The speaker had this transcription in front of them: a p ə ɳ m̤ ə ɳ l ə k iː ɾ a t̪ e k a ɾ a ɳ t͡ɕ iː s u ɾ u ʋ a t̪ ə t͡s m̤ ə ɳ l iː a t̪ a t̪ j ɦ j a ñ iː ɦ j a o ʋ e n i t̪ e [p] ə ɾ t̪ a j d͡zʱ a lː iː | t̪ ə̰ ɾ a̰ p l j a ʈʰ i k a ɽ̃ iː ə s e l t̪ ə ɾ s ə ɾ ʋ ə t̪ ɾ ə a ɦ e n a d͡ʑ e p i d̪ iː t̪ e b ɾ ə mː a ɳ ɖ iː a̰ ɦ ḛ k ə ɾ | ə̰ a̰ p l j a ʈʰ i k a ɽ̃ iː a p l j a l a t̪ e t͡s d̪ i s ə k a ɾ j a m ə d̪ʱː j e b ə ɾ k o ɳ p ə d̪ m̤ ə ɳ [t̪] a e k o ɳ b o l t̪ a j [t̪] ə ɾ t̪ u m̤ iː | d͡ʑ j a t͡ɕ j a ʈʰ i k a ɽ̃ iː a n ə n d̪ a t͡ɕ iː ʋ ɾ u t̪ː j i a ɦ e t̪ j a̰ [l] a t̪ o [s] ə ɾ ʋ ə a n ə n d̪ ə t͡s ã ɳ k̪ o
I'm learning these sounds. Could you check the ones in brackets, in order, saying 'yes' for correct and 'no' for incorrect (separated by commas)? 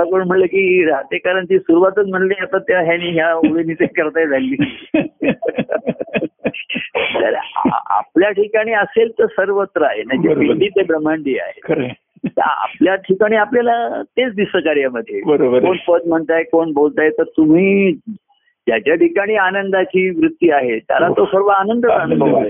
no, yes, yes, yes, yes